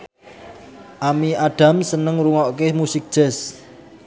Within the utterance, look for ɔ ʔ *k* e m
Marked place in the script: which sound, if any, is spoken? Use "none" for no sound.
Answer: k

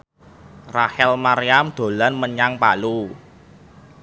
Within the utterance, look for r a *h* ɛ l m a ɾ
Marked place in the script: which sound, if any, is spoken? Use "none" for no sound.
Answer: h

